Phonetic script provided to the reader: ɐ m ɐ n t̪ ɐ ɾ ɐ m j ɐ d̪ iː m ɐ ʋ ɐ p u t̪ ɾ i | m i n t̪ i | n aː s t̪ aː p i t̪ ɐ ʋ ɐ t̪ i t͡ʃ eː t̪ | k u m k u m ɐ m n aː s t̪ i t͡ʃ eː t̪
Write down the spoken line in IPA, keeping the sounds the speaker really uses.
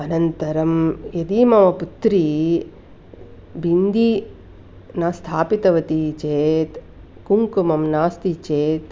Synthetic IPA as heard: ɐ n ɐ n t̪ ɐ ɾ ɐ m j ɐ d̪ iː m ɐ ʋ ɐ p u t̪ ɾ i | b i n d̪ i | n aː s t̪ʰ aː p i t̪ ɐ ʋ ɐ t̪ i t͡ʃ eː t̪ | k u ŋ k u m ɐ m n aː s t̪ i t͡ʃ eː t̪